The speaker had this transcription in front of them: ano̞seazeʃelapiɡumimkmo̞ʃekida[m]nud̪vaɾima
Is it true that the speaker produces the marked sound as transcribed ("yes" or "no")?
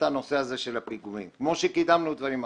yes